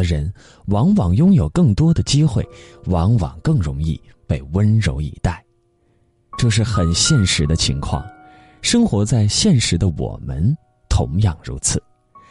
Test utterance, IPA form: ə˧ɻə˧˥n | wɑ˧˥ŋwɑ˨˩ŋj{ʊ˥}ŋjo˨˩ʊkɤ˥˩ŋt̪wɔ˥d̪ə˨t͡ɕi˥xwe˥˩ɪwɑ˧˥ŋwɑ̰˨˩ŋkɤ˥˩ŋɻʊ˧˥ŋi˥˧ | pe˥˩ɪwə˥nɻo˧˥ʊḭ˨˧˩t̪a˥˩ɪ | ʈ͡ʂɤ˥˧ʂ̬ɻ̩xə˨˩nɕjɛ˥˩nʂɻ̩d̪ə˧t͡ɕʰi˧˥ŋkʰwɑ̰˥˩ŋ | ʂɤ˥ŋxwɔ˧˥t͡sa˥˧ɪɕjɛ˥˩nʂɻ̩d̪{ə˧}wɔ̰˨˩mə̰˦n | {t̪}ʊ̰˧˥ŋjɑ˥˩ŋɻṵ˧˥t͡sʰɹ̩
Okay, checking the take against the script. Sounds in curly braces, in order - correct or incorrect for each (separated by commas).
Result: correct, correct, incorrect